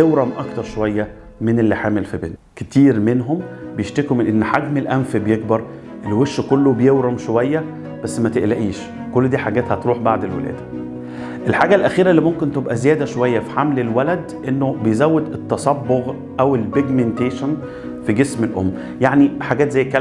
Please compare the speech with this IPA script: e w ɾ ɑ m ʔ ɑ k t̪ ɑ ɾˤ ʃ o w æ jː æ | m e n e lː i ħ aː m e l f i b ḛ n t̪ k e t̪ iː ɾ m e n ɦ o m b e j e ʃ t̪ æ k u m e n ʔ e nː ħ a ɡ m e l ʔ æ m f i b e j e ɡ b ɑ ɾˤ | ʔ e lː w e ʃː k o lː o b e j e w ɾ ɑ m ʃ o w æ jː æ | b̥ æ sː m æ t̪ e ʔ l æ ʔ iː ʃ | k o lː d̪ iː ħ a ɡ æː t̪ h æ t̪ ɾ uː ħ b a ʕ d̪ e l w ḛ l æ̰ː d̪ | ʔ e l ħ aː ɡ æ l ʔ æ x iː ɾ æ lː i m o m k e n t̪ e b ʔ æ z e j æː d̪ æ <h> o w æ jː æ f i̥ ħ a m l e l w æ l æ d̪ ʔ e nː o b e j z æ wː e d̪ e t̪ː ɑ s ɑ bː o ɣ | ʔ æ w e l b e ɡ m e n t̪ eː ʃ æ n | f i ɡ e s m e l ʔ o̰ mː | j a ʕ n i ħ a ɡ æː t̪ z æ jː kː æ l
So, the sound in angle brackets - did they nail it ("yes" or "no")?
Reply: no